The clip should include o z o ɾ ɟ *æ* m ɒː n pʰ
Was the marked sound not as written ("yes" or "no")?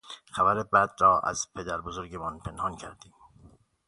yes